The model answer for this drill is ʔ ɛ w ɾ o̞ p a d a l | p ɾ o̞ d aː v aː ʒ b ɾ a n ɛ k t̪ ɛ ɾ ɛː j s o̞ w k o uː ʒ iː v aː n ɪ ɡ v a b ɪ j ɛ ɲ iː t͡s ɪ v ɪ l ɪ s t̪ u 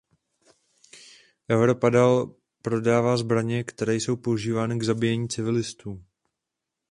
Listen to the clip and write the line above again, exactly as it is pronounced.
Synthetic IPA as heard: ʔ ɛ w ɾ o̞ p a d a l | p ɾ o̞ d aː v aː z b ɾ a ɲ ɛ k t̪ ɛ ɾ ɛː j s o̞ w p o u ʒ iː v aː n ɪ ɡ z a b ɪ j ɛ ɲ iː t͡s ɪ v ɪ l ɪ s t̪ uː